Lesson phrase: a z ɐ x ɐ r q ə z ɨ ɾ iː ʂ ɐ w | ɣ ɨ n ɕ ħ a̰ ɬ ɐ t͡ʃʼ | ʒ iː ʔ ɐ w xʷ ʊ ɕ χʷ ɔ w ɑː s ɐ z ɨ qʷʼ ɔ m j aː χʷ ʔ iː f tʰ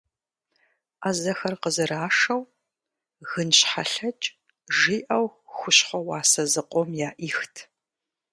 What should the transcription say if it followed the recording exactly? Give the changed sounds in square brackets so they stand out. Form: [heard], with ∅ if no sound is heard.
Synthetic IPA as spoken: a z ɐ x ɐ r q ə z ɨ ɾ [aː] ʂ ɐ w | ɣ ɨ n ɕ ħ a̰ ɬ ɐ t͡ʃʼ | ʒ iː ʔ ɐ w xʷ ʊ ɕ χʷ ɔ w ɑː s ɐ z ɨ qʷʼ ɔ m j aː [∅] ʔ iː [x] tʰ